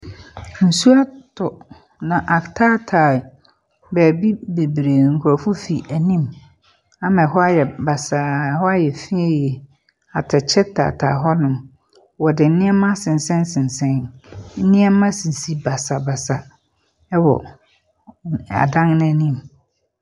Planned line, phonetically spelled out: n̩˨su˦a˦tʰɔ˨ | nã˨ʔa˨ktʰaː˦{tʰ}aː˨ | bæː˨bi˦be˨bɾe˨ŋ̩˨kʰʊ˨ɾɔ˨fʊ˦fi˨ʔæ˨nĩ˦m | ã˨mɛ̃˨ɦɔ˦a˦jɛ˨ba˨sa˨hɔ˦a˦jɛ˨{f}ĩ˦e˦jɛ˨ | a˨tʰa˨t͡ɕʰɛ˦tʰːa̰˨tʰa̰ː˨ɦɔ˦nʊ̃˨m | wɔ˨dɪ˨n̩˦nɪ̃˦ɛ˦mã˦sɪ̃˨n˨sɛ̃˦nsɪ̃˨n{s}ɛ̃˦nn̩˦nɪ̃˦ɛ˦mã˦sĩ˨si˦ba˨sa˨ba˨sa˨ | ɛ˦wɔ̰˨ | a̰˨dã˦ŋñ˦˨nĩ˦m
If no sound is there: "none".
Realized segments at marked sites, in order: tʰ, f, s

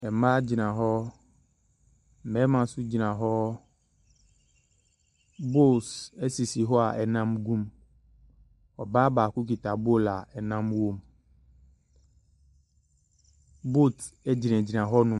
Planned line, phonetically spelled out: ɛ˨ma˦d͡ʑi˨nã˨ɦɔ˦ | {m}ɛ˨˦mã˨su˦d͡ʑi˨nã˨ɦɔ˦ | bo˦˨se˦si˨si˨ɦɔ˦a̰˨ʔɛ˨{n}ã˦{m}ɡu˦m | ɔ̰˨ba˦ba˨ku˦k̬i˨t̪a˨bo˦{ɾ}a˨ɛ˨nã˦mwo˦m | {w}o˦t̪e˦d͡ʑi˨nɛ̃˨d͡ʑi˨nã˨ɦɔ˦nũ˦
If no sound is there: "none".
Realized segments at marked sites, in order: m, n, m, l, b

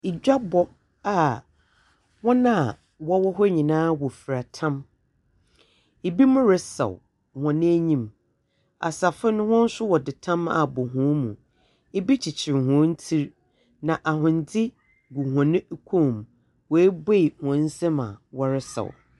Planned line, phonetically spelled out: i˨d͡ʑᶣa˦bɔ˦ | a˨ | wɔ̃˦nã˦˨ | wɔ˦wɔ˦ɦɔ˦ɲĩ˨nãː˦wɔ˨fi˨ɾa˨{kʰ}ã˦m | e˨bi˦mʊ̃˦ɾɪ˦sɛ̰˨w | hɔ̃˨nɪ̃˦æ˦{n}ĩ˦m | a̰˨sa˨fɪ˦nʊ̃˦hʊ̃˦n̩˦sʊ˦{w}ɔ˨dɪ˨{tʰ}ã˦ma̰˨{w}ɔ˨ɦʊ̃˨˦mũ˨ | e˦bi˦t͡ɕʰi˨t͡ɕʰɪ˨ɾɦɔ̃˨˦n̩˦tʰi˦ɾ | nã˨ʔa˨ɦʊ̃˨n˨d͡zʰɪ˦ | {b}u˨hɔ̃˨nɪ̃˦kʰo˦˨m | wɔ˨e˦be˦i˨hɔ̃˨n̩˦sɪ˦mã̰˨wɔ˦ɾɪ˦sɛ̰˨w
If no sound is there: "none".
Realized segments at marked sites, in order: tʰ, ɲ, w, tʰ, b, ɡ

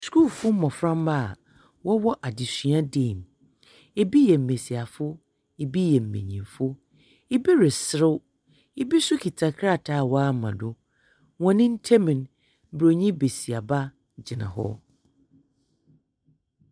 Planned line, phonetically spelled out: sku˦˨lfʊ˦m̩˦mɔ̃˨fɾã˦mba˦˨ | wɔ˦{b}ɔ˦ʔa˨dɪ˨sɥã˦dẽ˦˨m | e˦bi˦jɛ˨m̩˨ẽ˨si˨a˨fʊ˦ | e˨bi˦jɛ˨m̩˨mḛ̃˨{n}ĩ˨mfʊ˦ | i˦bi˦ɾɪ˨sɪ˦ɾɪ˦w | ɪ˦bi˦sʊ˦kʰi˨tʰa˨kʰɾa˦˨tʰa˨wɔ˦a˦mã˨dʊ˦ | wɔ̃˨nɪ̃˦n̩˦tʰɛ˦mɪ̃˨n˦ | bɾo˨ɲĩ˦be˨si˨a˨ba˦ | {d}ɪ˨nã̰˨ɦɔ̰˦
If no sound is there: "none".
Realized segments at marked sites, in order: w, ɲ, d͡ʑ

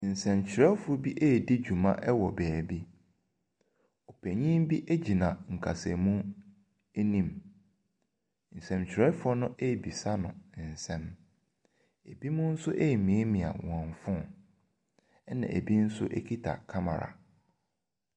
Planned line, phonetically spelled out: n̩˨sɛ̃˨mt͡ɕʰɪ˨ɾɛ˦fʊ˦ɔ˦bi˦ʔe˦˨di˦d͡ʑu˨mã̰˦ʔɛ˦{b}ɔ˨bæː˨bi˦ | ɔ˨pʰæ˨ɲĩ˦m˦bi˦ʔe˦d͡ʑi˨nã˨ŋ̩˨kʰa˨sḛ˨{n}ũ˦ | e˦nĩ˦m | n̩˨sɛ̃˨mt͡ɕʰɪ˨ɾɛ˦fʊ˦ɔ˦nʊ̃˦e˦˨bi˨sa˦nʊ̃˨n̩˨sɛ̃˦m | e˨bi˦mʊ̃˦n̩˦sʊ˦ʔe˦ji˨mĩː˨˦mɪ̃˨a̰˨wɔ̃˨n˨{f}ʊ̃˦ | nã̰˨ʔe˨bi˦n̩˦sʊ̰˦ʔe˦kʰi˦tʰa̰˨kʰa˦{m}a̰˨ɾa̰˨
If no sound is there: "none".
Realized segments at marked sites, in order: w, m, f, m

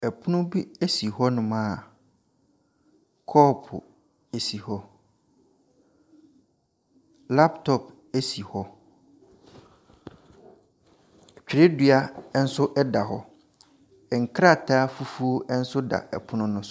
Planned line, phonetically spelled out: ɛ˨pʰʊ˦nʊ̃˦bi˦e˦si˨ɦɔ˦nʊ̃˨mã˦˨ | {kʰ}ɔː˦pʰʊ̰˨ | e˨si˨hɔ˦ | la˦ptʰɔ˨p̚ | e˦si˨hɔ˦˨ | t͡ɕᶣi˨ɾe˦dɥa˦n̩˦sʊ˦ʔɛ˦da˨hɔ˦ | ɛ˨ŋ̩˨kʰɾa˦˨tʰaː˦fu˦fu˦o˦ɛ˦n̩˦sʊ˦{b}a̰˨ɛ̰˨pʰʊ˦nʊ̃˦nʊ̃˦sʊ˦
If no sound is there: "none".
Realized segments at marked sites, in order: kʰ, d

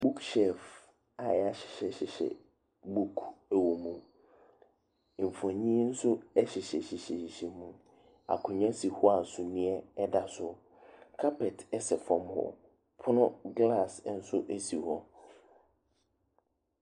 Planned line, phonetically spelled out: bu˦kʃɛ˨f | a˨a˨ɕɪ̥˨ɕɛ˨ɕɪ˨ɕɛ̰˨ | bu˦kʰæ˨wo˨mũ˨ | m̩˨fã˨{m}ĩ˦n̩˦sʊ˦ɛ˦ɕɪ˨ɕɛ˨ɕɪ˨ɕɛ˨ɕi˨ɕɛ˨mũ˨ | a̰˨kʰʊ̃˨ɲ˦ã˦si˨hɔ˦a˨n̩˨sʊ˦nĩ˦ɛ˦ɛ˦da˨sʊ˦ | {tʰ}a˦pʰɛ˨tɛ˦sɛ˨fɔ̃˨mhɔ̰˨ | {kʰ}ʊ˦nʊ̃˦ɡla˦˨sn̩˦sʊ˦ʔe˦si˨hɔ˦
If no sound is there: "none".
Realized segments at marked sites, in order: ɲ, kʰ, pʰ

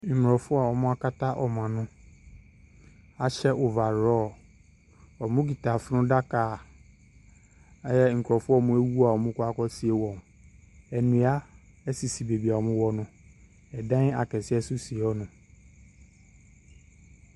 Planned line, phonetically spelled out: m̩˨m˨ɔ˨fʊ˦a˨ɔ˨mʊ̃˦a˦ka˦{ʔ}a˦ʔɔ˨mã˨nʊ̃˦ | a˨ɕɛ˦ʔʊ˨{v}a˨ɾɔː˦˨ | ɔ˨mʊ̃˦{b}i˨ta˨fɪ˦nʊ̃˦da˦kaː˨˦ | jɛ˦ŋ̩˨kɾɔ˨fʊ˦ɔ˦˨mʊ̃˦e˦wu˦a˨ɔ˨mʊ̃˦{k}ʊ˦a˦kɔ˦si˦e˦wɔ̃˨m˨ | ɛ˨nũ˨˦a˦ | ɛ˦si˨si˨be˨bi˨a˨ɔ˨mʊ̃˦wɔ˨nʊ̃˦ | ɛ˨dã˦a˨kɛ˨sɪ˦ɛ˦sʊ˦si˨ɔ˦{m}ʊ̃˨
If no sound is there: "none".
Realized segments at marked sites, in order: t, v, ɡ, k, n

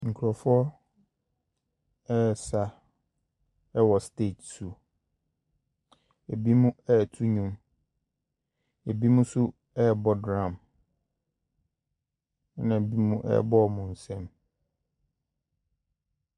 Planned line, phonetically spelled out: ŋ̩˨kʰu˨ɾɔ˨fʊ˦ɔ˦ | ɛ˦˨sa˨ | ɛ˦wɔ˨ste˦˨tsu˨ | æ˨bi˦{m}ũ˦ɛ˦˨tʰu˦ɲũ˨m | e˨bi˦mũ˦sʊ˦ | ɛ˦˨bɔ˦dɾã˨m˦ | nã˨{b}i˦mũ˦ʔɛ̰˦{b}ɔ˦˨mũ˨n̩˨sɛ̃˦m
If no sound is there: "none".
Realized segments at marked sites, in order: m, b, b

